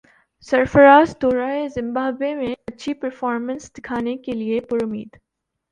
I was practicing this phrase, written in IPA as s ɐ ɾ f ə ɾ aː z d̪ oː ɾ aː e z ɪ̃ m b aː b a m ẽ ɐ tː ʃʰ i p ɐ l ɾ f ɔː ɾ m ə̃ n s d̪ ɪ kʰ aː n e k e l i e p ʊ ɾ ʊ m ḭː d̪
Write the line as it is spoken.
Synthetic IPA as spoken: s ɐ ɾ f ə ɾ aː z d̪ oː ɾ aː e z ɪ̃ m b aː b e m ẽ ɐ tː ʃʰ i p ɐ ɾ f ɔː ɾ m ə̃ n s d̪ ɪ kʰ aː n e k e l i e p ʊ ɾ ʊ m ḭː d̪